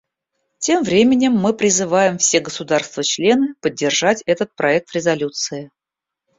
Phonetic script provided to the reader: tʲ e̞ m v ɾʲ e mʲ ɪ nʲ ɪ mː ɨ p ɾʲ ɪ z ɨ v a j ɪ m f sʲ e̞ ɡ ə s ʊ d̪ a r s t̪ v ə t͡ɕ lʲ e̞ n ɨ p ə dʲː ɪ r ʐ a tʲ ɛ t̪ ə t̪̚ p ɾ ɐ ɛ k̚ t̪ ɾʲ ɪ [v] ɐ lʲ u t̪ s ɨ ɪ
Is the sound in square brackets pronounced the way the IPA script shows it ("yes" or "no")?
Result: no